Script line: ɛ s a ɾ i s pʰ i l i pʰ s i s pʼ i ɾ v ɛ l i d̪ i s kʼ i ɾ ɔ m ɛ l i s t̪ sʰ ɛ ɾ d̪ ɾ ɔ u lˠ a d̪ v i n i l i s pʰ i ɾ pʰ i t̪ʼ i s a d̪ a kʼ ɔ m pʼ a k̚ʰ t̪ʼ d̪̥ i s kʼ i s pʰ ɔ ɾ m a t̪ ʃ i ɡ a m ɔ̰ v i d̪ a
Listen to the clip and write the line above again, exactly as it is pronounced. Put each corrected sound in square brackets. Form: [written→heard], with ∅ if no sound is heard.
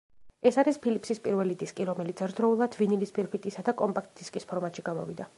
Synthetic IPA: ɛ s a ɾ i s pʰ i l i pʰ s i s pʼ i ɾ v ɛ l i d̪ i s kʼ i ɾ ɔ m ɛ l i [s→∅] t̪ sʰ ɛ ɾ d̪ ɾ ɔ u lˠ a d̪ v i n i l i s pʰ i ɾ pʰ i t̪ʼ i s a d̪ a kʼ ɔ m pʼ a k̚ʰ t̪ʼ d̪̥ i s kʼ i s pʰ ɔ ɾ m a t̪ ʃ i ɡ a m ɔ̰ v i d̪ a